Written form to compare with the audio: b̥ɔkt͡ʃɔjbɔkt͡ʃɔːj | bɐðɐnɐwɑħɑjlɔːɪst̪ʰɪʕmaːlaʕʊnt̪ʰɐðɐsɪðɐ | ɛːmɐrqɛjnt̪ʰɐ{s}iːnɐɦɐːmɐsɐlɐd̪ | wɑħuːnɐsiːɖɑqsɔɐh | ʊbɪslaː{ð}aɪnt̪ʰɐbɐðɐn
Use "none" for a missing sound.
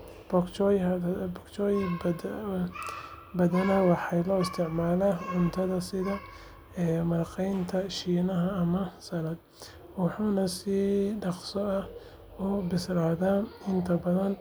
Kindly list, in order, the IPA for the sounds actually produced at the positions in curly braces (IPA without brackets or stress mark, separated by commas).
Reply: ʃ, ð